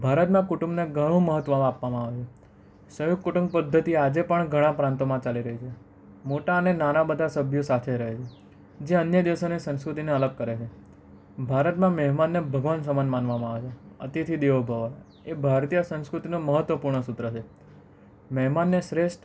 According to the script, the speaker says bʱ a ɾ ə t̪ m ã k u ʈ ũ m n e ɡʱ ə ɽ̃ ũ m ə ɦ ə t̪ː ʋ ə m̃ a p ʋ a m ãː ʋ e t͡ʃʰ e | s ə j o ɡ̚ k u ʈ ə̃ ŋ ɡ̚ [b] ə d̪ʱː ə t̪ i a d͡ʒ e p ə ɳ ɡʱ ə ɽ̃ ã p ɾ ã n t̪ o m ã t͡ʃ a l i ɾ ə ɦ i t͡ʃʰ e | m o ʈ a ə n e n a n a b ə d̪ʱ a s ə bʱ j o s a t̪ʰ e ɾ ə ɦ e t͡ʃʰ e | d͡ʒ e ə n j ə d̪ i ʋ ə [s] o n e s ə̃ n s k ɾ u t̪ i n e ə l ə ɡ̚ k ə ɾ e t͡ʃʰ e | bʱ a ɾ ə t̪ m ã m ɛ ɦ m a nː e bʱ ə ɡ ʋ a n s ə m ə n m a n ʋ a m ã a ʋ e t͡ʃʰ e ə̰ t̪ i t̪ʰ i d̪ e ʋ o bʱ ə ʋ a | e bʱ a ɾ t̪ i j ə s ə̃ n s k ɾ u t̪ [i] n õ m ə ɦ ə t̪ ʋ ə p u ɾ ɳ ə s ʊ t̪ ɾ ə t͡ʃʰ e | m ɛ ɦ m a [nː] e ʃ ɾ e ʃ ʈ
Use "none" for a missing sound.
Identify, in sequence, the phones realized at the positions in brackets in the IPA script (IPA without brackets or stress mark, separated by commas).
p, s, i, nː